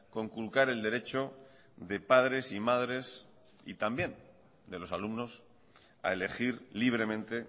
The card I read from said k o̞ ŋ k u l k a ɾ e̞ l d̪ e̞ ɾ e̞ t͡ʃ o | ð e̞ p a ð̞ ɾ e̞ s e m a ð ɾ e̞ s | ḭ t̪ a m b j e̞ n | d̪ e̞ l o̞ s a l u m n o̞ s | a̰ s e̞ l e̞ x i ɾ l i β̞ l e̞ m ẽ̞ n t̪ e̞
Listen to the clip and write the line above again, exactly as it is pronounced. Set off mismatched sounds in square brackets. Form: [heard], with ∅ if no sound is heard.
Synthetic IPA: k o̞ ŋ k u l k a ɾ e̞ l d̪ e̞ ɾ e̞ t͡ʃ o | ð e̞ p a ð̞ ɾ e̞ s [i] m a ð ɾ e̞ s | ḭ t̪ a m b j e̞ n | d̪ e̞ l o̞ s a l u m n o̞ s | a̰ [∅] e̞ l e̞ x i ɾ l i β̞ [ɾ] e̞ m ẽ̞ n t̪ e̞